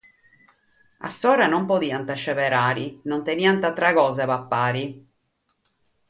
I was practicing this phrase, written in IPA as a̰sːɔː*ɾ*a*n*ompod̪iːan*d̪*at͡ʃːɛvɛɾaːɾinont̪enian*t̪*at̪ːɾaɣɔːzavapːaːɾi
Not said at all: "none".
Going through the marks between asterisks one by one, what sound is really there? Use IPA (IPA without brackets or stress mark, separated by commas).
ɾ, n, t̪, t̪